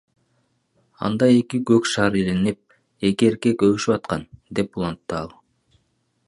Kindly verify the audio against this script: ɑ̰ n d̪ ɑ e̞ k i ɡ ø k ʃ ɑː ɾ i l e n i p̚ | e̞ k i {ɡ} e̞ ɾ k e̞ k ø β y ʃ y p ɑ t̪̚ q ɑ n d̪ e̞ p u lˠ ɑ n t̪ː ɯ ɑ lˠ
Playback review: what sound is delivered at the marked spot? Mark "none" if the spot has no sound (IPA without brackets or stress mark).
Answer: none